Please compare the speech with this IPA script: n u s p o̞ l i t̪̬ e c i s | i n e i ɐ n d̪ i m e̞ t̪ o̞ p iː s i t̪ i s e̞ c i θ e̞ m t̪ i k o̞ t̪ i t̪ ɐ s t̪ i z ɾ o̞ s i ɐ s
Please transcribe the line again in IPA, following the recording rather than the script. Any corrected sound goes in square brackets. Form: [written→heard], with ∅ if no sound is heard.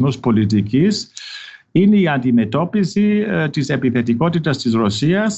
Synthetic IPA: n u s p o̞ l i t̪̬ [e→i] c i s | i n e i ɐ n d̪ i m e̞ t̪ o̞ p [iː→i] s i t̪ i s e̞ [c→p] i θ e̞ [m→∅] t̪ i k o̞ t̪ i t̪ ɐ s t̪ i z ɾ o̞ s i ɐ s